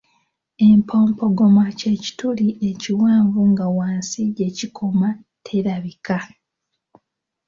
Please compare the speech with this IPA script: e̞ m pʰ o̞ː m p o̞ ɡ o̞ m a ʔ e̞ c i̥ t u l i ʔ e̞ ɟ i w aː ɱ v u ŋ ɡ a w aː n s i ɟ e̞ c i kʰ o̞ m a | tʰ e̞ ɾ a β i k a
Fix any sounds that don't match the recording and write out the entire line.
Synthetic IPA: e̞ m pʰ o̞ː m p o̞ ɡ o̞ m a c e̞ c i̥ t u l i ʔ e̞ c i w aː ɱ v u ŋ ɡ a w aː n s i ɟ e̞ c i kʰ o̞ m a | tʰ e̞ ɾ a β i k a